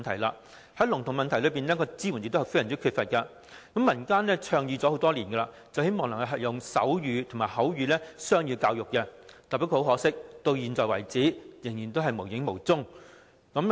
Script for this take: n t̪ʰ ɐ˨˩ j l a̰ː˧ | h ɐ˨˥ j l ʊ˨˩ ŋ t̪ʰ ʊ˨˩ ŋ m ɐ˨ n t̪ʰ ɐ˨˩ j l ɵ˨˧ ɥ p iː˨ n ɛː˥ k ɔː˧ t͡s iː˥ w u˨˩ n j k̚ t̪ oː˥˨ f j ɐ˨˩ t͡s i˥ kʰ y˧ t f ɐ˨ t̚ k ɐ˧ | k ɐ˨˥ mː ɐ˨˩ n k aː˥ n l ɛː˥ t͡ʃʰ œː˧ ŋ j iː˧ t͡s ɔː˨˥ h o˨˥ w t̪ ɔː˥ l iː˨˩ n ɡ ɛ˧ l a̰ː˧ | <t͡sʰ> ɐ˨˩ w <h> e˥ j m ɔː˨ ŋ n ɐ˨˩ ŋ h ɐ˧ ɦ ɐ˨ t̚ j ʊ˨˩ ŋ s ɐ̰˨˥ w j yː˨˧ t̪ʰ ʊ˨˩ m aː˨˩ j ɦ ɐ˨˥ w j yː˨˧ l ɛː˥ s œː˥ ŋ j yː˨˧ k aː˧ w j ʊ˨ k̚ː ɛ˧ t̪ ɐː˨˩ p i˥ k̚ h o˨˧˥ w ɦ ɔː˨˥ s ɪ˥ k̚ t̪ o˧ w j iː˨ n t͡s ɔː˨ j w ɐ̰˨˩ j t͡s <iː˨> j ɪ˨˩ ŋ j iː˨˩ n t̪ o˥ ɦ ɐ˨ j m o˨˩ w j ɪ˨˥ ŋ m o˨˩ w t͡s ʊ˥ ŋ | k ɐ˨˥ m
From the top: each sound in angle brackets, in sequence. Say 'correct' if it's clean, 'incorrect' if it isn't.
incorrect: t͡s, correct, incorrect: iː˨˥

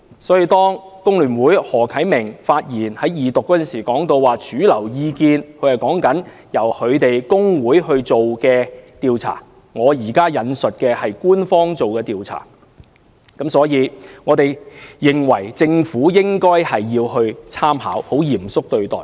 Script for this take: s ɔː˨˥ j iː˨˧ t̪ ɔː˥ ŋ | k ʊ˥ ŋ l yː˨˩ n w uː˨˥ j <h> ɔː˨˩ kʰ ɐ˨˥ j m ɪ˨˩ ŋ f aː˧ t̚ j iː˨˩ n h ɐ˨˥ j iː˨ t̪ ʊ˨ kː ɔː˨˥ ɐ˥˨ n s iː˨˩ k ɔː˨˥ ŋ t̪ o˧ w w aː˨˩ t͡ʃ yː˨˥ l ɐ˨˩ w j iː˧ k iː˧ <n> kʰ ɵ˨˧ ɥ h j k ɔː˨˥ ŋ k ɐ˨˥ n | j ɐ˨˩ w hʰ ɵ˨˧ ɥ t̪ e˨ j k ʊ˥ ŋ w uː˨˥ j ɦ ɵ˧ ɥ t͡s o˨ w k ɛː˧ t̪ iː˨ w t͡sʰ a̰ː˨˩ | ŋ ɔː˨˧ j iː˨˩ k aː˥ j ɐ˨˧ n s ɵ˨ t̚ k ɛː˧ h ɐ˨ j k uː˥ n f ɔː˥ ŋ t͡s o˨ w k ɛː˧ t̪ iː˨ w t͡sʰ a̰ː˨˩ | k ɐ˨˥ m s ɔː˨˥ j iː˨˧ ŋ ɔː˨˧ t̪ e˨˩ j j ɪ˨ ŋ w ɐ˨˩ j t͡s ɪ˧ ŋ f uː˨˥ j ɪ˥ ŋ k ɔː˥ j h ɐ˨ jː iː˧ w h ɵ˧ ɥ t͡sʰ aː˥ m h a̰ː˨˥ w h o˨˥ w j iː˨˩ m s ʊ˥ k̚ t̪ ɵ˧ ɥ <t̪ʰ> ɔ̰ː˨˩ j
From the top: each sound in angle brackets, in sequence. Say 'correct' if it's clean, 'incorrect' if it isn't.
correct, correct, incorrect: t̪

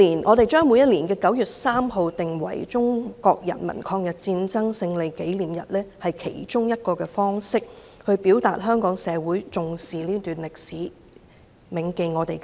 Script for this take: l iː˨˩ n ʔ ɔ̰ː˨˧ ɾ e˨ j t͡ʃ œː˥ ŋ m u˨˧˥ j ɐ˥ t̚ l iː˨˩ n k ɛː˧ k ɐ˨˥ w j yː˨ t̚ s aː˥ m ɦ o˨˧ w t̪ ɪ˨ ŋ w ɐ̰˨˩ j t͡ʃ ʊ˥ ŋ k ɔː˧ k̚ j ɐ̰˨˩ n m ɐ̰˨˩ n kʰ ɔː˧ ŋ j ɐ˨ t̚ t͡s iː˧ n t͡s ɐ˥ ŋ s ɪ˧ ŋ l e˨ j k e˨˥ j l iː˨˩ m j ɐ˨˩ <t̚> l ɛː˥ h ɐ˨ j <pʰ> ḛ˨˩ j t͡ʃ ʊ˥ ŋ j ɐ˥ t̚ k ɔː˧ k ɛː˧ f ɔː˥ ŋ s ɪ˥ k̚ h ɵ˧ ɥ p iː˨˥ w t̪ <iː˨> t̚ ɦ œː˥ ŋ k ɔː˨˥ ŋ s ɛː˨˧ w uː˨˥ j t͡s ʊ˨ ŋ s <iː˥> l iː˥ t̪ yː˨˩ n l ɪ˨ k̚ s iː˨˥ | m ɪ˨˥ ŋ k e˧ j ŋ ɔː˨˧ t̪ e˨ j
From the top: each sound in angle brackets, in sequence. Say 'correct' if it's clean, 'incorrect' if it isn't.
correct, incorrect: kʰ, incorrect: aː˨, incorrect: iː˨

